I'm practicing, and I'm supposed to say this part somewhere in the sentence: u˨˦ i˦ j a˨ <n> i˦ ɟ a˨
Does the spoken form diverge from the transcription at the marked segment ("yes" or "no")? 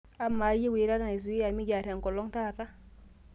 yes